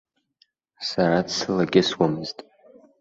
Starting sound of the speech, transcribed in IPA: s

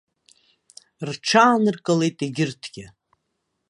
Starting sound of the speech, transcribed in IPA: r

